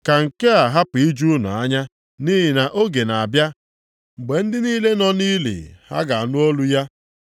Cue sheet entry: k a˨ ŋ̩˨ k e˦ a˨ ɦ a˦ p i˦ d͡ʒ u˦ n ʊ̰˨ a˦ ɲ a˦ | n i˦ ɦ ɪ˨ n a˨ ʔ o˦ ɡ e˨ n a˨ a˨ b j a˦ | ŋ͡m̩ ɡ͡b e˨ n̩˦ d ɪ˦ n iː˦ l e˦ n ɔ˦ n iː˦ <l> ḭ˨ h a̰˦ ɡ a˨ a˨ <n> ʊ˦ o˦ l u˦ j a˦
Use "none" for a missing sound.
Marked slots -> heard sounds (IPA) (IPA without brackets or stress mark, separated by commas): l, n